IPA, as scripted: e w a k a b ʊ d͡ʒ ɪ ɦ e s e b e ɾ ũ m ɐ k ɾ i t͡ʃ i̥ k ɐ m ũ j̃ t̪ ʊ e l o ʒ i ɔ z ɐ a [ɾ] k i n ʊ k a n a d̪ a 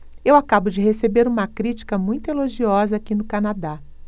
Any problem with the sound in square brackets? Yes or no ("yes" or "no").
yes